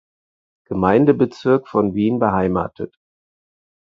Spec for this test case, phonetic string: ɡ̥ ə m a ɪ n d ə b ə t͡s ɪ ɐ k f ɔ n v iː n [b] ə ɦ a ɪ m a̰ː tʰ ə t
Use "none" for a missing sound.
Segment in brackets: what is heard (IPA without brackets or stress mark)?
b